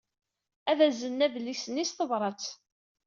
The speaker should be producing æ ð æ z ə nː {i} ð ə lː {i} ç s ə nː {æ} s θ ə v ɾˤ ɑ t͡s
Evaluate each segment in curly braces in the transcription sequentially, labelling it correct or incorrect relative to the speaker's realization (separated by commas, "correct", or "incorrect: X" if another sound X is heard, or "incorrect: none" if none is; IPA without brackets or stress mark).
incorrect: æ, correct, incorrect: i